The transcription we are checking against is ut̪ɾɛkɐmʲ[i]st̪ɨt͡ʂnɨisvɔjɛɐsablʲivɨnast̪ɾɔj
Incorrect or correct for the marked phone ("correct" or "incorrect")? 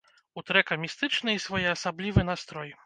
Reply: correct